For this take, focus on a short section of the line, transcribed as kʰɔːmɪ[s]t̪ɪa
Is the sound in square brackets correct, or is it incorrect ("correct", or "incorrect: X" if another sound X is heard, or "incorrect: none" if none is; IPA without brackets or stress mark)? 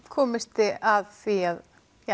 correct